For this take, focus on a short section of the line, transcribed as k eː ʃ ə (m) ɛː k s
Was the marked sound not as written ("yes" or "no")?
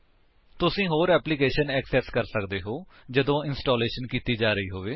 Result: yes